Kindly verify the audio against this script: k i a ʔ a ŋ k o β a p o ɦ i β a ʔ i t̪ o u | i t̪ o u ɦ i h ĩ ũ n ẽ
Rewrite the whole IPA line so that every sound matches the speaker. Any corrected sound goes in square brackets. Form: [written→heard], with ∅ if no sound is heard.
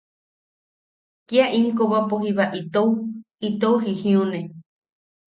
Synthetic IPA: k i a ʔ [a→i] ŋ k o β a p o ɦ i β a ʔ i t̪ o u | i t̪ o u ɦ i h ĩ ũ n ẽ